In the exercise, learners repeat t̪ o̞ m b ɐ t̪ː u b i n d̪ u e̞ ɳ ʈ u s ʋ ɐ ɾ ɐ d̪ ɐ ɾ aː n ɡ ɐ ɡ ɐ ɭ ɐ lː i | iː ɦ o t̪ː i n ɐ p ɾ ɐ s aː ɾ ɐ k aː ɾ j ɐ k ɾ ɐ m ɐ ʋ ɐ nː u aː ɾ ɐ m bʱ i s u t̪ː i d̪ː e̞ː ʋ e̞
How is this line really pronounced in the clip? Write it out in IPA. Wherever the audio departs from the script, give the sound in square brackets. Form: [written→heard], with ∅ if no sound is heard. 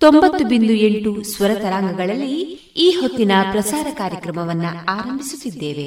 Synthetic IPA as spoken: t̪ o̞ m b ɐ t̪ː u b i n d̪ u e̞ ɳ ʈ u s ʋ ɐ ɾ ɐ [d̪→t̪] ɐ ɾ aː [n→ŋ] ɡ ɐ ɡ ɐ ɭ ɐ lː i | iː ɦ o t̪ː i n ɐ p ɾ ɐ s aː ɾ ɐ k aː ɾ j ɐ k ɾ ɐ m ɐ ʋ ɐ nː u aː ɾ ɐ m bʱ i s u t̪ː i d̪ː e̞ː ʋ e̞